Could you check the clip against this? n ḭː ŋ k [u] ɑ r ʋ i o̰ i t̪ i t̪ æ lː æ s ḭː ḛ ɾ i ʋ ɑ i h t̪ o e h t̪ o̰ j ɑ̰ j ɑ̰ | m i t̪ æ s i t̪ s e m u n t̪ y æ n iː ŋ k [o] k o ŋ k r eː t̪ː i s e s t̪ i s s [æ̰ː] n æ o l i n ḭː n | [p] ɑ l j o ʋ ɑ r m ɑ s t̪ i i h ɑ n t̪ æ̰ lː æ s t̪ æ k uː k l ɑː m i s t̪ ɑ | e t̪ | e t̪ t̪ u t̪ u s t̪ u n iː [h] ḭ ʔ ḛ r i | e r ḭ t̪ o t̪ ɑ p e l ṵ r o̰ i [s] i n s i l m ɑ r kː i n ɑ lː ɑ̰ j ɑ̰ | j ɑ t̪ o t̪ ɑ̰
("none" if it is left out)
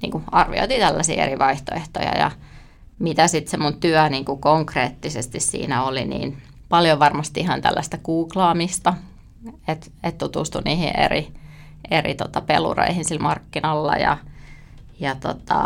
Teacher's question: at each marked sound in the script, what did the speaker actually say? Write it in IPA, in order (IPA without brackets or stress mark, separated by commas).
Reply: u, u, ḭː, p, h, h